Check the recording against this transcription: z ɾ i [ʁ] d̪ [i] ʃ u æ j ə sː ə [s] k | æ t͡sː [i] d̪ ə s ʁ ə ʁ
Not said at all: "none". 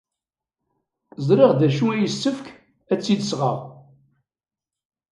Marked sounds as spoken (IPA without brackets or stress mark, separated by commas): ʁ, æ, f, i